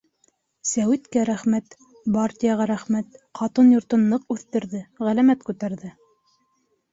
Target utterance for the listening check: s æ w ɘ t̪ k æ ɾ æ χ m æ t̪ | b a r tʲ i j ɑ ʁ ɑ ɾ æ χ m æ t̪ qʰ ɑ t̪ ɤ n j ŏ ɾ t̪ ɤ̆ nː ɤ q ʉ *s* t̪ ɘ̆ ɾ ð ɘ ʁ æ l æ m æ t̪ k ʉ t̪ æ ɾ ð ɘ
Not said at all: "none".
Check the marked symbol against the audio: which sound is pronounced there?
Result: θ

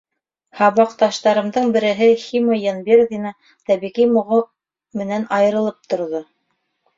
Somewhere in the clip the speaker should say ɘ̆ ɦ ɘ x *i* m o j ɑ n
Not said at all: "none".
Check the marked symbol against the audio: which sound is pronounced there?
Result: i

